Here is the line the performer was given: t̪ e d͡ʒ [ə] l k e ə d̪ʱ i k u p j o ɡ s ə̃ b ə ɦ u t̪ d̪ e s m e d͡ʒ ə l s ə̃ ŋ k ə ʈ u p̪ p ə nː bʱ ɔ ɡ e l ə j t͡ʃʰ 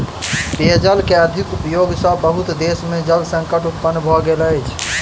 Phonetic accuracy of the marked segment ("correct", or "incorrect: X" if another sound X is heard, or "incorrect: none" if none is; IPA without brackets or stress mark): correct